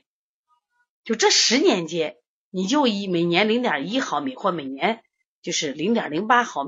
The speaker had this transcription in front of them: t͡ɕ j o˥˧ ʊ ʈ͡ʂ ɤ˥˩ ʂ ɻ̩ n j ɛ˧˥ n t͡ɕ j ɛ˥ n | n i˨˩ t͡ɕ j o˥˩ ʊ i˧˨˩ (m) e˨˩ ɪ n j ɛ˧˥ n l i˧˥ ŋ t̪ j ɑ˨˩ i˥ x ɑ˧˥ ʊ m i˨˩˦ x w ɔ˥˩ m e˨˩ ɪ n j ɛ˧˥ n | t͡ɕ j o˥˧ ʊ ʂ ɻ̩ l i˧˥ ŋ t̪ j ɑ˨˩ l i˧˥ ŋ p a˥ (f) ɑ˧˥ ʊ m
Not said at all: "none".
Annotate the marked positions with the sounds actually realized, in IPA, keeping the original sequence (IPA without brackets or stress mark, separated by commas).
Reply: m, x